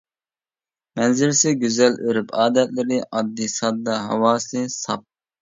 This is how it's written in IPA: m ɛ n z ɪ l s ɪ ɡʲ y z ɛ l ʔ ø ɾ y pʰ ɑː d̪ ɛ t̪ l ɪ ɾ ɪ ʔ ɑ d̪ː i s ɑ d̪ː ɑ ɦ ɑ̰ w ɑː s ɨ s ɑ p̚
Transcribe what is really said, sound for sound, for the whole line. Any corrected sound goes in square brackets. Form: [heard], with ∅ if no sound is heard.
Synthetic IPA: m ɛ n z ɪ l s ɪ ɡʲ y z ɛ l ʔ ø ɾ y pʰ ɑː d̪ ɛ t̪ l ɪ ɾ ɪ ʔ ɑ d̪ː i s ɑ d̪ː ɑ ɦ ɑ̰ w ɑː s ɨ s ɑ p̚